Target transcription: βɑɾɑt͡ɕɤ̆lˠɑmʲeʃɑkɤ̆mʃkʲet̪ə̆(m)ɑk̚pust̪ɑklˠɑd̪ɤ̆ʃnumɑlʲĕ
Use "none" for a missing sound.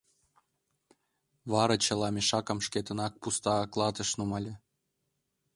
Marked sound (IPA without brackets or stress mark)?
n